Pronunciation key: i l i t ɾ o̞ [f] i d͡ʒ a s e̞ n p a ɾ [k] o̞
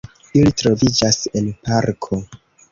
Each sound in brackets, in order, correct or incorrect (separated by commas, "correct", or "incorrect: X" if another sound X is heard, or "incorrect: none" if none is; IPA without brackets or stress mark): incorrect: v, incorrect: kʰ